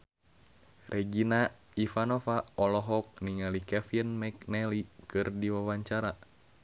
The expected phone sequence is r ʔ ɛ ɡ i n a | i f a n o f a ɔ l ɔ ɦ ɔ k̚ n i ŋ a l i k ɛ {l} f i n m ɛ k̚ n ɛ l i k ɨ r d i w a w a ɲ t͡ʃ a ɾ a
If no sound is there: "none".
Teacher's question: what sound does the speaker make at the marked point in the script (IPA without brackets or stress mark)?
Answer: none